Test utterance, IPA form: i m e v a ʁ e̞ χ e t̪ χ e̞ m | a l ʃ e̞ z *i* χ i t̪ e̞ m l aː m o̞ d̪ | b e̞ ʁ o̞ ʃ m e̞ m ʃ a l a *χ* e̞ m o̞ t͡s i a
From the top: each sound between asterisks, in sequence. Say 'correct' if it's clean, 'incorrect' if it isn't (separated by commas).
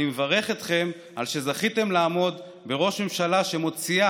incorrect, incorrect